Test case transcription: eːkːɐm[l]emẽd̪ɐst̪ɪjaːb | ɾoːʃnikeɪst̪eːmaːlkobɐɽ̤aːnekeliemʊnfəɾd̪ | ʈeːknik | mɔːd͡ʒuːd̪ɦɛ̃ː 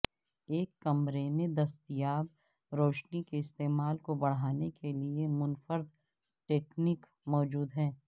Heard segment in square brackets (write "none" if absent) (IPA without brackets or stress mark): ɾ